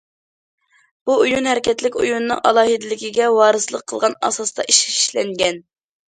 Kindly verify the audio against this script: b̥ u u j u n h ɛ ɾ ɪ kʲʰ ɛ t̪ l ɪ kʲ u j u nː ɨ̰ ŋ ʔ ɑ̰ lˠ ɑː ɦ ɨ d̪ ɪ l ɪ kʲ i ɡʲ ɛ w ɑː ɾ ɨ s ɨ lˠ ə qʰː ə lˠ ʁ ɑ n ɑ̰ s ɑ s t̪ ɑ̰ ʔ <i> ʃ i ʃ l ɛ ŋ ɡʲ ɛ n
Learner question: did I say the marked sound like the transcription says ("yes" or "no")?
yes